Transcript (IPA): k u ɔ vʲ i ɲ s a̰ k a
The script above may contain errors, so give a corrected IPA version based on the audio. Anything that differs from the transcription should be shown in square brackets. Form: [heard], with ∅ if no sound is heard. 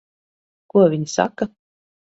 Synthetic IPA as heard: k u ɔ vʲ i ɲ s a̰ k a